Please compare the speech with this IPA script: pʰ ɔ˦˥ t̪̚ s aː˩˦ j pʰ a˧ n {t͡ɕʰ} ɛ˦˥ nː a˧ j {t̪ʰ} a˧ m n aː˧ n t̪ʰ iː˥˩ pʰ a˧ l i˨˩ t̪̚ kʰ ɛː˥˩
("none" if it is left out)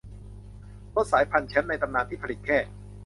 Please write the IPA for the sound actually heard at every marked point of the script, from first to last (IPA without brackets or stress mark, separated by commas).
t͡ɕʰ, t̪